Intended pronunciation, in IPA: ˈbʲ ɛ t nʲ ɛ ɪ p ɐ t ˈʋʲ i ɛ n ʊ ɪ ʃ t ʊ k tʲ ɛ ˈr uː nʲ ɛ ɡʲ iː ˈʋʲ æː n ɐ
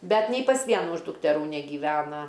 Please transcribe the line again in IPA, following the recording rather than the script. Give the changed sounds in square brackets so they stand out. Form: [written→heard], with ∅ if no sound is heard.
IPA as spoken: ˈbʲ ɛ t nʲ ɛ ɪ p ɐ [t→s] ˈʋʲ i ɛ n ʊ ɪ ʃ [t→d] ʊ k tʲ ɛ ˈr uː nʲ ɛ ɡʲ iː ˈʋʲ æː n ɐ